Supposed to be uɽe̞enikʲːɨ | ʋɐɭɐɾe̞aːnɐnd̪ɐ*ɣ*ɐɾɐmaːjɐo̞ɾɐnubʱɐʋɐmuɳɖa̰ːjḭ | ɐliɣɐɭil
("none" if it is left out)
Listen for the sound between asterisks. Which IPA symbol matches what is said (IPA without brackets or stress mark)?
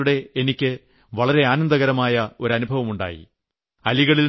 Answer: ɣ